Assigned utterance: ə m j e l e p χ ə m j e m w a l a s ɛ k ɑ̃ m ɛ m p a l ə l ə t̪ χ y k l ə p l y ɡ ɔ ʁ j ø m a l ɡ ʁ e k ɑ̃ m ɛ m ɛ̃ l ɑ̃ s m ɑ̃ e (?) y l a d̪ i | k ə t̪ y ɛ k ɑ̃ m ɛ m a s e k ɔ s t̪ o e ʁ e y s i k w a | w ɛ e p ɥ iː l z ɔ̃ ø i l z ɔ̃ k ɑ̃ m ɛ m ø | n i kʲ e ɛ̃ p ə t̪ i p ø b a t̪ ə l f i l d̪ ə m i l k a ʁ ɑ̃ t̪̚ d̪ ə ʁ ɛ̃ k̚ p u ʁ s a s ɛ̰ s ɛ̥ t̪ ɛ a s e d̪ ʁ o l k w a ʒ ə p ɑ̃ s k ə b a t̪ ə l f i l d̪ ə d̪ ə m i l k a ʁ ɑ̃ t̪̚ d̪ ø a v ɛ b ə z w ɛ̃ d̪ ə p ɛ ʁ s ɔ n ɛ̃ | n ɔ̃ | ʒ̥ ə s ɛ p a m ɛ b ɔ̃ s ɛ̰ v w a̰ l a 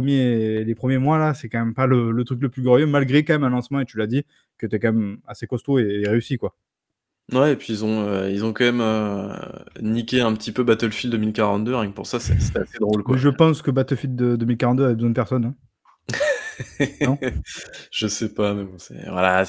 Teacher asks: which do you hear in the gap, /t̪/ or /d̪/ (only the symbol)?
t̪